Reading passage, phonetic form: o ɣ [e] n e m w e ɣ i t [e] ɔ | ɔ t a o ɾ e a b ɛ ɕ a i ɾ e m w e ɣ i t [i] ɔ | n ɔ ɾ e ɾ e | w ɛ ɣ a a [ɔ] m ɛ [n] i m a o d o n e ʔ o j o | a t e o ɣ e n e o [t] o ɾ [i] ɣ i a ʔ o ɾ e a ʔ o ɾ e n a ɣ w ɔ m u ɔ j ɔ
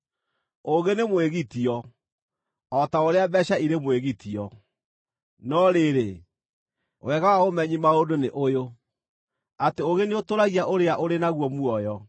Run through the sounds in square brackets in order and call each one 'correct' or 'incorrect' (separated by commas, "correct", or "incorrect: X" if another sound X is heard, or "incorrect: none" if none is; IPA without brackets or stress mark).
correct, incorrect: i, correct, incorrect: o, incorrect: ɲ, correct, incorrect: a